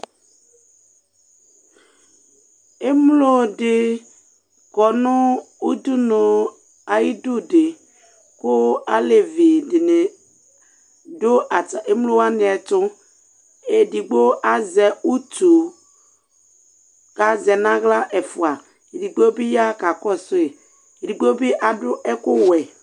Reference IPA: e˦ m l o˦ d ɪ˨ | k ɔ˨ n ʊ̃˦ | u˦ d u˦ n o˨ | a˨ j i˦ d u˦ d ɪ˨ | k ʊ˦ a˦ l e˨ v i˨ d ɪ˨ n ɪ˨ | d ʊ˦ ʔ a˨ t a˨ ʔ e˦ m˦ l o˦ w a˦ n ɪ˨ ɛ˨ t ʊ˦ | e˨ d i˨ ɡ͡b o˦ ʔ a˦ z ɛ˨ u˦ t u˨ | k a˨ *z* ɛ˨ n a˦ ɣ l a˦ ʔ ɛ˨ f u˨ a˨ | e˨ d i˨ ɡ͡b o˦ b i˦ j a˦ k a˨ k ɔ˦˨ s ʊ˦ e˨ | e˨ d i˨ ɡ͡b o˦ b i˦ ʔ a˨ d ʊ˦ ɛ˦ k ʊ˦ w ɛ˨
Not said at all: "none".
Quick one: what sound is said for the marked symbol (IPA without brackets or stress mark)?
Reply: z